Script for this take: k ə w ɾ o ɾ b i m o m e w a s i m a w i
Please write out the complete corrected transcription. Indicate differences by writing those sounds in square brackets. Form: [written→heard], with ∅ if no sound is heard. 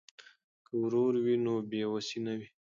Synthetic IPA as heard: k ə w ɾ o ɾ [b→w] i [m→n] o [m→b] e w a s i [m→n] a w i